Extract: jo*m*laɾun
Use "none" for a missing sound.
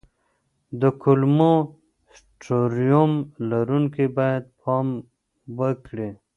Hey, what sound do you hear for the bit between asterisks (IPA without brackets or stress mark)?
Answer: m